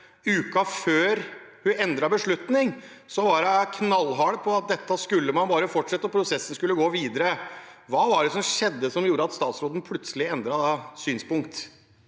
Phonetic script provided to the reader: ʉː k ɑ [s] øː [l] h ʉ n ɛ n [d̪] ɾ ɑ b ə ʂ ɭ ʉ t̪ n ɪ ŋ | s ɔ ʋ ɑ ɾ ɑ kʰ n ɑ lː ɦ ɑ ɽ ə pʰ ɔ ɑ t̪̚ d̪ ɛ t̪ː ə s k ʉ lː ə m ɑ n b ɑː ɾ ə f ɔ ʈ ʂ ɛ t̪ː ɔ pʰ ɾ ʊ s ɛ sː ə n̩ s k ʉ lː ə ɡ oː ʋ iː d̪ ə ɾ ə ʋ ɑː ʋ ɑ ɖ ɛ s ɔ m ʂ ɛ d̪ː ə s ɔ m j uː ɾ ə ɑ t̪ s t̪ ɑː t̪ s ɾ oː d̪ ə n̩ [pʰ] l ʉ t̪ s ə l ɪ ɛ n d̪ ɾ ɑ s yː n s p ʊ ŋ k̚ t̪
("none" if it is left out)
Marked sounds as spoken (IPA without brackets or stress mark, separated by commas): f, ɾ, d̪, pʰ